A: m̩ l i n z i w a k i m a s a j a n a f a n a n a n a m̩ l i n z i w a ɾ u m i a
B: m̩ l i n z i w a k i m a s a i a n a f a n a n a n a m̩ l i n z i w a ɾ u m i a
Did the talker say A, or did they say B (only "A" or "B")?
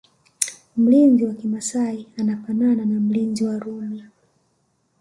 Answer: B